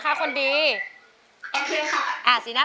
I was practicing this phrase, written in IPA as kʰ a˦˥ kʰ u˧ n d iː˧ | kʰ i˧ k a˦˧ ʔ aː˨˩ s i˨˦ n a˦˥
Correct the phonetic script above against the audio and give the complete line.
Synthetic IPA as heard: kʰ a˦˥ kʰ o˧ n d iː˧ | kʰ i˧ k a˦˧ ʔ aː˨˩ s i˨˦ n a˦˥